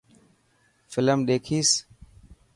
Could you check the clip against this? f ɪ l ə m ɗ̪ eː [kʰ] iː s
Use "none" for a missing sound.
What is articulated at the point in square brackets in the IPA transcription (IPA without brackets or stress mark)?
kʰ